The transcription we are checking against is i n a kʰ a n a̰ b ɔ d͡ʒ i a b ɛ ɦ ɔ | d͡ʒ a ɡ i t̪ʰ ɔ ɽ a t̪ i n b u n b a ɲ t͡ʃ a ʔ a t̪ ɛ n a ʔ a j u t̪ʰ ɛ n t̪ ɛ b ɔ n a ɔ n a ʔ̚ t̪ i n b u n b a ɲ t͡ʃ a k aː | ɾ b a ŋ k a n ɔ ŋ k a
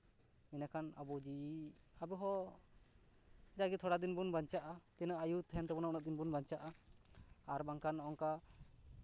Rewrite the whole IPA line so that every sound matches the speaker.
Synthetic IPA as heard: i n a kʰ a n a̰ b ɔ d͡ʒ i a b ɛ ɦ ɔ | d͡ʒ a ɡ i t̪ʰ ɔ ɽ a d̪ i n b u n b a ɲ t͡ʃ a ʔ a t̪ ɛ n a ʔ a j u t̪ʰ ɛ n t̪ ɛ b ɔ n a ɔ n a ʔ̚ d̪ i n b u n b a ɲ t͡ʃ a ʔ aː | ɾ b a ŋ k a n ɔ ŋ k a